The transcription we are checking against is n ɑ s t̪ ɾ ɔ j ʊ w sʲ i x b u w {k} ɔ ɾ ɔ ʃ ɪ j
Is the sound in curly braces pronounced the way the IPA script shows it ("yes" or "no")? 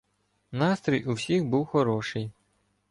no